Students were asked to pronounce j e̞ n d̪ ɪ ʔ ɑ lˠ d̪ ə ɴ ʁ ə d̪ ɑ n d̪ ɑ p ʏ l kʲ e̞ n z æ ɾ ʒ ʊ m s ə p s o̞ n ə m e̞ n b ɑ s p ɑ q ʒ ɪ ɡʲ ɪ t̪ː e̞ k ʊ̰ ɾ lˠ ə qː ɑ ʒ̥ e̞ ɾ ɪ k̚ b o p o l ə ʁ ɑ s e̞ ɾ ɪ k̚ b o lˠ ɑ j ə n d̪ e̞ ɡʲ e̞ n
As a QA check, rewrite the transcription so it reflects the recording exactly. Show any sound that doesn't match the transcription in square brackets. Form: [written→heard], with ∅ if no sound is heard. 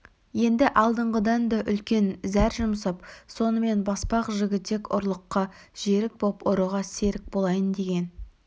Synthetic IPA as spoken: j e̞ n d̪ ɪ ʔ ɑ lˠ d̪ ə ɴ ʁ ə d̪ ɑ n d̪ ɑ [p→ʔ] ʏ l kʲ e̞ n z æ ɾ ʒ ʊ m s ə p s o̞ n ə m e̞ n b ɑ s p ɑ q ʒ ɪ ɡʲ ɪ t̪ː e̞ k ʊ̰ ɾ lˠ ə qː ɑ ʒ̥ e̞ ɾ ɪ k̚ b o p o [l→ɾ] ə ʁ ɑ s e̞ ɾ ɪ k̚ b o lˠ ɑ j ə n d̪ e̞ ɡʲ e̞ n